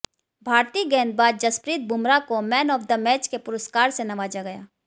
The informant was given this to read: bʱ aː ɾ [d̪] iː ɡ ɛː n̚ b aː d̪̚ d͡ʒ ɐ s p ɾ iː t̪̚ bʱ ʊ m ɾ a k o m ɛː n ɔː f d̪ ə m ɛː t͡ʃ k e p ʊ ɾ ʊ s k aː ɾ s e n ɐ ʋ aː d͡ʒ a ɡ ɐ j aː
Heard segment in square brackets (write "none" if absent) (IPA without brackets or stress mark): t̪